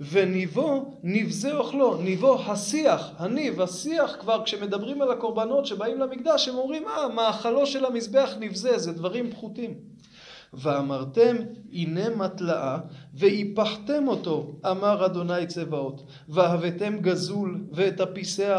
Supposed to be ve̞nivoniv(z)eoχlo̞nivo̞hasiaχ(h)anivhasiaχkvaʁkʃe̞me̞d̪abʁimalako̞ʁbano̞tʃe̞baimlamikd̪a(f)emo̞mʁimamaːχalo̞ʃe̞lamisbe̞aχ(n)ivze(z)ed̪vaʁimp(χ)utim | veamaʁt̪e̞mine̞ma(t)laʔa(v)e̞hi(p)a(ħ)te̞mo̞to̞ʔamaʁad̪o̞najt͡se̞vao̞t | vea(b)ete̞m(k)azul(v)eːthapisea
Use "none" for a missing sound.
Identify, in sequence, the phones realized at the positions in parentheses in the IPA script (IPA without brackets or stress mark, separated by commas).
z, h, ʃ, n, z, χ, t, v, p, ħ, v, ɡ, v